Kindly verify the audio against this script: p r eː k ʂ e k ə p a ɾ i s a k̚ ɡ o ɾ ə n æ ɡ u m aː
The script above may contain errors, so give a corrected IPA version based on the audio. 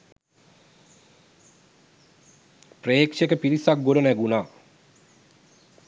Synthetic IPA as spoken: p r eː k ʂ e k ə p i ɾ i s a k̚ ɡ o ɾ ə n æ ɡ u n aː